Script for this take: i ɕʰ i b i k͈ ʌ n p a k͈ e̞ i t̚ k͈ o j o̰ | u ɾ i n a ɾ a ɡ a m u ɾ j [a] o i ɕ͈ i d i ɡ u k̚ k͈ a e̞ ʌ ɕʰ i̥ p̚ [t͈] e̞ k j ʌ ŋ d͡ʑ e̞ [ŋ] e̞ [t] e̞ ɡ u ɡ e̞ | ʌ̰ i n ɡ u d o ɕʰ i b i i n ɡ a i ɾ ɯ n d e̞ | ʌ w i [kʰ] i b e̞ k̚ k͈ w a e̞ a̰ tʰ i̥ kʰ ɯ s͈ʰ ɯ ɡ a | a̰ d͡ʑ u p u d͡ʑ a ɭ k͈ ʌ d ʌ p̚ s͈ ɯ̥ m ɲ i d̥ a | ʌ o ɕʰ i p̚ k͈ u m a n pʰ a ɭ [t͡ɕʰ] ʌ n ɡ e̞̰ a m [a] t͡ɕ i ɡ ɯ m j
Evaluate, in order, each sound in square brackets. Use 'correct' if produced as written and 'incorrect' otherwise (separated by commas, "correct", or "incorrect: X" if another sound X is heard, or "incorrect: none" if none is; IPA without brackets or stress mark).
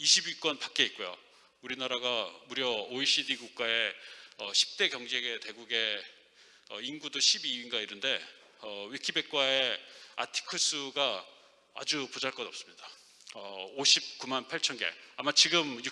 incorrect: ʌ, correct, incorrect: ɡ, correct, correct, correct, correct